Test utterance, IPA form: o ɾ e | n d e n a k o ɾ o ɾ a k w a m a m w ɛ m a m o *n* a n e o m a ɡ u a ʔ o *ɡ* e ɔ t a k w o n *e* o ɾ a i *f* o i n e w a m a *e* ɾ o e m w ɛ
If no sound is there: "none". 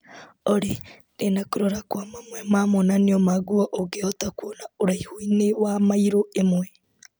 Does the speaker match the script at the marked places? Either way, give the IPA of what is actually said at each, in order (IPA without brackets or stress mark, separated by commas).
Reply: n, ɡ, a, h, i